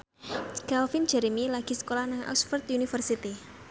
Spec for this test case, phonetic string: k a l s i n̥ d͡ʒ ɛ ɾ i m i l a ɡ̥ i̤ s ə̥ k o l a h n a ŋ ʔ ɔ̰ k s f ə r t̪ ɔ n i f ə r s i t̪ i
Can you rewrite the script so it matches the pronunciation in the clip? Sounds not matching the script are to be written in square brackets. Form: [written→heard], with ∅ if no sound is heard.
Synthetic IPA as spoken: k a l [s→f] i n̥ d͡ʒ ɛ ɾ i m i l a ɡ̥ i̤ s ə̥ k o l a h n a ŋ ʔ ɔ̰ k s f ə r t̪ [ɔ→u] n i f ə r s i t̪ i